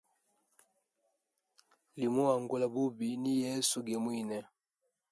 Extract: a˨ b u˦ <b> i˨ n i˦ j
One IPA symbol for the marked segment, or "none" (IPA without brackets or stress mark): b